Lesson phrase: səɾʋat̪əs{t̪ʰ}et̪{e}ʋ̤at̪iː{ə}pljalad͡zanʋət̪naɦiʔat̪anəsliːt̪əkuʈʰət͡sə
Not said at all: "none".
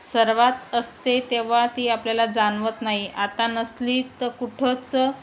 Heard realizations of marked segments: t̪, e, a

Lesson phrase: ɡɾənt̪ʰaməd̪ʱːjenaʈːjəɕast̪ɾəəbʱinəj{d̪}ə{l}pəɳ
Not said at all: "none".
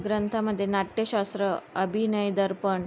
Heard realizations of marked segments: d̪, ɾ

